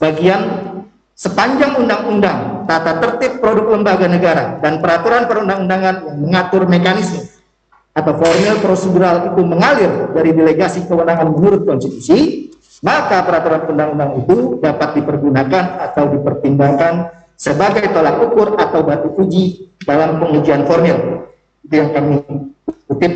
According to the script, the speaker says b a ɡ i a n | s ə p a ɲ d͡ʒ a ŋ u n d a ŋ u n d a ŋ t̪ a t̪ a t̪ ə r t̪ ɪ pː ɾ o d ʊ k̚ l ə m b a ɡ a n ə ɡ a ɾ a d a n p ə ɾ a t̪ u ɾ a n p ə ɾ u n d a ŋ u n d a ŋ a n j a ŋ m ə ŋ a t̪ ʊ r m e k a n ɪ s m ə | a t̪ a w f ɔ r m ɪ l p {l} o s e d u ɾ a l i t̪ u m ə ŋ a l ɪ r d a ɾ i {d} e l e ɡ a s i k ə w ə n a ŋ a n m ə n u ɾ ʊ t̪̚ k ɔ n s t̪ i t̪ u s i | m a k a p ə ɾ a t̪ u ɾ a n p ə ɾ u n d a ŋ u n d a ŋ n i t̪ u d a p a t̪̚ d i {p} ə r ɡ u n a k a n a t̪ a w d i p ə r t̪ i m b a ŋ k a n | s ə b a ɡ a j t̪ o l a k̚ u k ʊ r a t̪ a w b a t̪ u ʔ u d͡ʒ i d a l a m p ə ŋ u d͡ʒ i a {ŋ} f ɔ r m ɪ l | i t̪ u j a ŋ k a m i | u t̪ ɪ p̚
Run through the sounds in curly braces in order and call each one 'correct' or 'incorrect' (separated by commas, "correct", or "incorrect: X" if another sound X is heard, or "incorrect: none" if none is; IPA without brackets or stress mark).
incorrect: ɾ, correct, correct, incorrect: n